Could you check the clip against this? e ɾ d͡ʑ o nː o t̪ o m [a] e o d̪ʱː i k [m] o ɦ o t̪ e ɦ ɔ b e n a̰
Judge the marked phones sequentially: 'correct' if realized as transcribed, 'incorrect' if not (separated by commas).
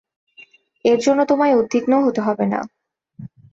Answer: correct, incorrect